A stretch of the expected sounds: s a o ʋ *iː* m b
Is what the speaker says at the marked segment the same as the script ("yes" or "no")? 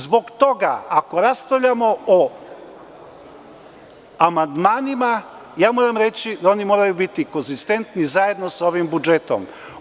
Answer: no